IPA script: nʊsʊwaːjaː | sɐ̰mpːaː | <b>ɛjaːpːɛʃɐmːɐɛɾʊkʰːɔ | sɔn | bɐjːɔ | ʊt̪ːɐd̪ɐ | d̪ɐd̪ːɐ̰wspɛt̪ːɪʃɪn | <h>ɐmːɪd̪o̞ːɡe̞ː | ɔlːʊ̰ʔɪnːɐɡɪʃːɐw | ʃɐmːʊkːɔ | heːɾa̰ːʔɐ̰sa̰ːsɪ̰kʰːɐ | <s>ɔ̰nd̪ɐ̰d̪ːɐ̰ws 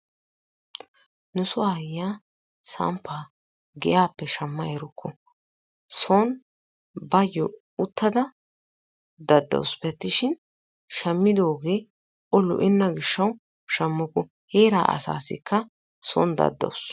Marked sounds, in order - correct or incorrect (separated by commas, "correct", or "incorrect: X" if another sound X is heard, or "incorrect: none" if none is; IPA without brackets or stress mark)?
incorrect: ɡ, incorrect: ʃ, correct